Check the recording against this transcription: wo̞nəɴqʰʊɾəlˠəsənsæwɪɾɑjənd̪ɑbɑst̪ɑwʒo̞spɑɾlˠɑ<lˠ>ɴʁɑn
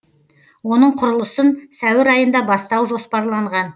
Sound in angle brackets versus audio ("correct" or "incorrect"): incorrect